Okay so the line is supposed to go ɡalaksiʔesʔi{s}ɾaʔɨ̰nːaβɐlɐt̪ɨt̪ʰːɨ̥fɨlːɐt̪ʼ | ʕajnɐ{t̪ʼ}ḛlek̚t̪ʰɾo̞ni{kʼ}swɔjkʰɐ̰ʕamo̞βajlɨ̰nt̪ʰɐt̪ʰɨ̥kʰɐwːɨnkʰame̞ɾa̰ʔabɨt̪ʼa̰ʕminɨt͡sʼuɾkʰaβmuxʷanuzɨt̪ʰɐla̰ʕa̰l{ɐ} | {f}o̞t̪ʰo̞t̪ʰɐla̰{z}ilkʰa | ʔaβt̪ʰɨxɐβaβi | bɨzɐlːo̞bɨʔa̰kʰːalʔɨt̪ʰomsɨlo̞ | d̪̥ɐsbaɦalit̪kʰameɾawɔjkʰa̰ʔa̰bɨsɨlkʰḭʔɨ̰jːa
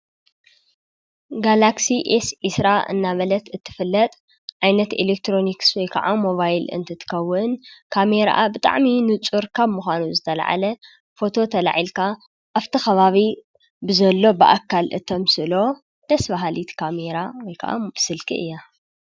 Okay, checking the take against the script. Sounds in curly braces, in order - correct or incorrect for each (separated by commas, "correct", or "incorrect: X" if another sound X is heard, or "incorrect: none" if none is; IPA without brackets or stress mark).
correct, incorrect: t̪, incorrect: k, correct, correct, incorrect: ʕ